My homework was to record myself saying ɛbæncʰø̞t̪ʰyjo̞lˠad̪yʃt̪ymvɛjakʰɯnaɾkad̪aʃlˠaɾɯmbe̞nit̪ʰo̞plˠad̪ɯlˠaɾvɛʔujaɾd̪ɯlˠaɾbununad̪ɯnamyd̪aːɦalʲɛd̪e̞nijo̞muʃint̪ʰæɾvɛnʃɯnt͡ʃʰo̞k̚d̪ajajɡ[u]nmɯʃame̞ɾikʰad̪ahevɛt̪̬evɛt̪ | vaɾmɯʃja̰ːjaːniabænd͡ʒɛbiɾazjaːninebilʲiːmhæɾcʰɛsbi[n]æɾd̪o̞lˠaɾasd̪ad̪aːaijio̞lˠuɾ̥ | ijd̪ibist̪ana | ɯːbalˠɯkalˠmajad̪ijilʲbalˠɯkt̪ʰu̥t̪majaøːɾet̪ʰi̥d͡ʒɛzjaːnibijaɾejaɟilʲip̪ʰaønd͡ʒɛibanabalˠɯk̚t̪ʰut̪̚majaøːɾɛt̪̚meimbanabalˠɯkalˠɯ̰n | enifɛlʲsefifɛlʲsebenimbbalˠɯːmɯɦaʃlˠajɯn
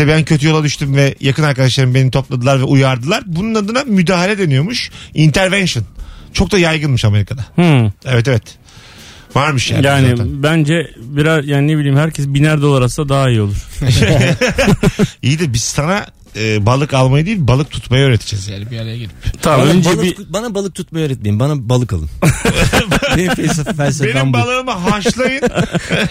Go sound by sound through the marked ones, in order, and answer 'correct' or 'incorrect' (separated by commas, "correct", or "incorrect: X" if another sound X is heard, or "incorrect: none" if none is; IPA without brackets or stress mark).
incorrect: ɯ, correct